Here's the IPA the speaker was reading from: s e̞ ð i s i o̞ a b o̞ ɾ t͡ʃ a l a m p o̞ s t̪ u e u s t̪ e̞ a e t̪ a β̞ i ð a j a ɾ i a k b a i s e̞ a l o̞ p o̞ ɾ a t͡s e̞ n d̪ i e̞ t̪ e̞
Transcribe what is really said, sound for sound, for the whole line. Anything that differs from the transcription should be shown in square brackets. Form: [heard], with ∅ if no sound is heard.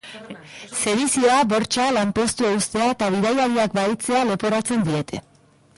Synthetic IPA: s e̞ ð i s i o̞ a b o̞ ɾ t͡ʃ a l a m p o̞ s t̪ u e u s t̪ e̞ a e t̪ a β̞ i ð a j a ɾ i a k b a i [t͡s] e̞ a l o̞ p o̞ ɾ a t͡s e̞ n d̪ i e̞ t̪ e̞